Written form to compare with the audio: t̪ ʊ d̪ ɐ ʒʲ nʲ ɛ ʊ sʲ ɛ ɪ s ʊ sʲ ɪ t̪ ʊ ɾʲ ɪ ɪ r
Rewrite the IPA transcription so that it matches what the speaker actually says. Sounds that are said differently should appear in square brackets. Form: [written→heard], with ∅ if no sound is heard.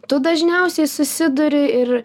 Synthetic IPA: t̪ ʊ d̪ ɐ ʒʲ nʲ ɛ ʊ sʲ ɛ ɪ s ʊ sʲ ɪ [t̪→d̪] ʊ ɾʲ ɪ ɪ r